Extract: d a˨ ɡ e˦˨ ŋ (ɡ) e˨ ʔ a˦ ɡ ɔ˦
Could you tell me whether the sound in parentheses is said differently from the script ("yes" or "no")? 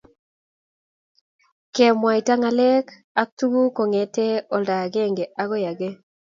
no